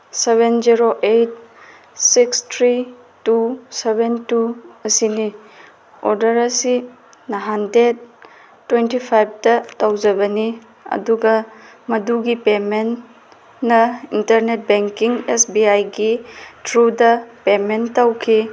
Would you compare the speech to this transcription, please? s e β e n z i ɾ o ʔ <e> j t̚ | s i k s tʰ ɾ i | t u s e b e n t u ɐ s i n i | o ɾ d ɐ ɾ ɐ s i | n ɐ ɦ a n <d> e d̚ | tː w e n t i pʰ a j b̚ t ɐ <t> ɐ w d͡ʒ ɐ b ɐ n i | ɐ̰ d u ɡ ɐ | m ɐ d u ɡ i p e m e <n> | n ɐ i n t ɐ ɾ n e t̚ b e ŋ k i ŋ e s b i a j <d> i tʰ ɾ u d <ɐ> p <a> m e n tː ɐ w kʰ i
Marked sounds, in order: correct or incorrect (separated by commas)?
correct, correct, correct, correct, incorrect, correct, incorrect